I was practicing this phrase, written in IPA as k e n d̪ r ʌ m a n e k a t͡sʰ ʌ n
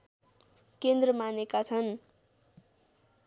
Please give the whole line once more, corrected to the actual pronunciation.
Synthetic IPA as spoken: k e n d̪ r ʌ m a n e k a t͡sʰ ʌ n